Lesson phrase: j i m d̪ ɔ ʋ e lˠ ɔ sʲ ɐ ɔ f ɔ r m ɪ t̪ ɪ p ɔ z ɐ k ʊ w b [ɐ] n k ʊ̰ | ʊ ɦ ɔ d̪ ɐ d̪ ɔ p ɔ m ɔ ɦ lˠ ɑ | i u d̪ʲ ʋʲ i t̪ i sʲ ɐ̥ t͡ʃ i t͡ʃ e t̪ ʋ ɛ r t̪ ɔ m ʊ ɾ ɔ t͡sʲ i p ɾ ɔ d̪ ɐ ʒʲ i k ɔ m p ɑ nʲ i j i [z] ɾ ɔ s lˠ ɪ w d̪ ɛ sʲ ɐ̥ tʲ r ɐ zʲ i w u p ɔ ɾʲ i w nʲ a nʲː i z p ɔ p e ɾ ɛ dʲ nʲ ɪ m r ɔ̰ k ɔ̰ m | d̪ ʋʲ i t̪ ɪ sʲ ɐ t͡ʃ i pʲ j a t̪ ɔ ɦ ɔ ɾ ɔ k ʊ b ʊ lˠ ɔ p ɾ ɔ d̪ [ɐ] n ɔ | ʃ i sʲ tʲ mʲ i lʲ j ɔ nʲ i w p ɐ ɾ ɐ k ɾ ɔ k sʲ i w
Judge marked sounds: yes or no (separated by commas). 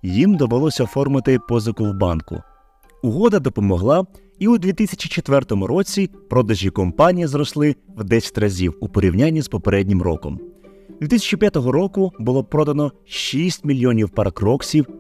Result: no, yes, yes